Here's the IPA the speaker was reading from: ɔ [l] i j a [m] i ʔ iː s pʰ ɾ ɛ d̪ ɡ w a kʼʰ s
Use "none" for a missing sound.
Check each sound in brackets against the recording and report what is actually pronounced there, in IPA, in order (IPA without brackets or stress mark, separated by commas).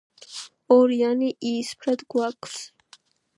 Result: ɾ, n